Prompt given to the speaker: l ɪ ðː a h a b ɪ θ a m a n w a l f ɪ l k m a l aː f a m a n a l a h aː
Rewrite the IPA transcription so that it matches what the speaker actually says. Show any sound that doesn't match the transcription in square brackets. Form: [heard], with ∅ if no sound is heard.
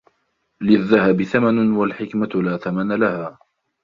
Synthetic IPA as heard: l ɪ ðː a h a b ɪ θ a m a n w a l [ħ] ɪ [∅] k m a l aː [θ] a m a n a l a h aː